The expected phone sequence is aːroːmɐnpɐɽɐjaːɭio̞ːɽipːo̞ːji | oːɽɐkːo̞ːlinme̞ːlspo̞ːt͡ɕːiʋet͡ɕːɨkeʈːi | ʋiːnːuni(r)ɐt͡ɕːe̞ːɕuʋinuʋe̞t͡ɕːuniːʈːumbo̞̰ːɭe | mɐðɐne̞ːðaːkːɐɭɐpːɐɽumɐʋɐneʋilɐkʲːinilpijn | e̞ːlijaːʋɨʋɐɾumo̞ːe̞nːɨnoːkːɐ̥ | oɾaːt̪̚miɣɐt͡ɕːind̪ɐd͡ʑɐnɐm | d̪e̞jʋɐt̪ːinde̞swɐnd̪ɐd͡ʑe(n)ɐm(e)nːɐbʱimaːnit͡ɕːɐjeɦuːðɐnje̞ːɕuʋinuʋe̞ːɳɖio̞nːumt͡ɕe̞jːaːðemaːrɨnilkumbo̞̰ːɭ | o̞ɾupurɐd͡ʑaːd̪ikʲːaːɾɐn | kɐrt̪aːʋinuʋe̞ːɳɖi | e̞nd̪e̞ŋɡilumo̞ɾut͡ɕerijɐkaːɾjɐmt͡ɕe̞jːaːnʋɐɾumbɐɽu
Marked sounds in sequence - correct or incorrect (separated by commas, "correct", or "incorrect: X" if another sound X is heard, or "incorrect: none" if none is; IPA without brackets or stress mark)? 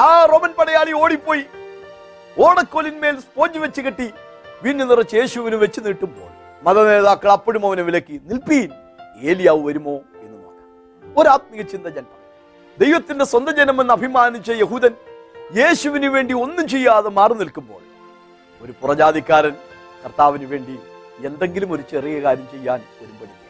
correct, correct, correct